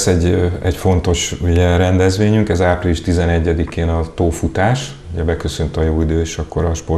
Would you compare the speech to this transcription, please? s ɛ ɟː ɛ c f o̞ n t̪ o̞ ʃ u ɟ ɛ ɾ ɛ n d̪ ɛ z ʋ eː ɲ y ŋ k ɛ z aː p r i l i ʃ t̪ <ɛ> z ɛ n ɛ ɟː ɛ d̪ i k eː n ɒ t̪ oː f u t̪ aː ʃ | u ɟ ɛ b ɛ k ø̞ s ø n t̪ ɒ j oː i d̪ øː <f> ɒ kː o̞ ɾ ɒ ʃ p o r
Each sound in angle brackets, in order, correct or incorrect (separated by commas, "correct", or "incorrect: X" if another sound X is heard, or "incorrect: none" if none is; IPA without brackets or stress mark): incorrect: i, incorrect: ʃ